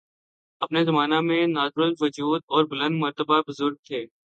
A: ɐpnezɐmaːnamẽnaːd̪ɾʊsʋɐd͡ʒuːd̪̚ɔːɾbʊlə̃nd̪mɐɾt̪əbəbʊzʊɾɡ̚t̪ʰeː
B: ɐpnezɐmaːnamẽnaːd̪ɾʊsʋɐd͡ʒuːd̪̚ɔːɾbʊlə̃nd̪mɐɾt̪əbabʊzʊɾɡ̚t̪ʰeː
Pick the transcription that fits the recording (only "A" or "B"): B